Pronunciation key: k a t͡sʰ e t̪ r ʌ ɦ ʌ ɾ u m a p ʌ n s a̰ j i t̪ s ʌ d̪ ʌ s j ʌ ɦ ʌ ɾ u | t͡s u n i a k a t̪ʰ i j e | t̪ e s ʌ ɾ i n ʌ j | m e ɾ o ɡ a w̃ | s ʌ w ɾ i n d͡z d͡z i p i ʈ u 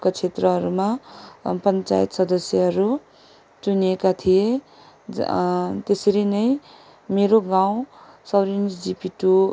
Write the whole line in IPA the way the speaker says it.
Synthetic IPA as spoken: k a t͡sʰ e t̪ r ʌ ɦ ʌ ɾ u m a p ʌ n t͡s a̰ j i t̪ s ʌ d̪ ʌ s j ʌ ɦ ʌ ɾ u | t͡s u n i e k a t̪ʰ i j e | t̪ e s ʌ ɾ i n ʌ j | m e ɾ o ɡ a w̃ | s ʌ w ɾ i n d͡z d͡z i p i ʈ u